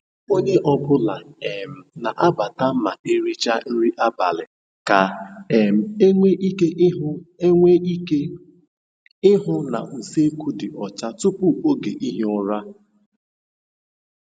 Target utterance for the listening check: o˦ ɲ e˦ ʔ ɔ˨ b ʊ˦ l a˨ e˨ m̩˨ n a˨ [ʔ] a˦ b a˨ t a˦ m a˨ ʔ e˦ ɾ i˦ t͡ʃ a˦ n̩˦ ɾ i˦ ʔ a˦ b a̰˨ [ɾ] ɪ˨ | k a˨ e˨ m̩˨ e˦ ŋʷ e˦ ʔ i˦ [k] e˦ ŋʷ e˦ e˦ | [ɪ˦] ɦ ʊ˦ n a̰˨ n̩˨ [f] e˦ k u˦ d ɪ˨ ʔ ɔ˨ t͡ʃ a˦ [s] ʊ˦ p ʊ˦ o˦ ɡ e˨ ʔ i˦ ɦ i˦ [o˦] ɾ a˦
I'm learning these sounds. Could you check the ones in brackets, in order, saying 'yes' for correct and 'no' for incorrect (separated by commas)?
yes, no, yes, yes, no, no, no